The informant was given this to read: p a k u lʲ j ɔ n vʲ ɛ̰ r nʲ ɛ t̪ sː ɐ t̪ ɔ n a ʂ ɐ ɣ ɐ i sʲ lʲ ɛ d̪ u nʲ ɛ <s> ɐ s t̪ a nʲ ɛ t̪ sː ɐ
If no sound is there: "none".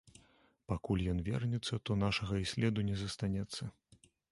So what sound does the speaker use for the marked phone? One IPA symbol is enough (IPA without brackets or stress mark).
z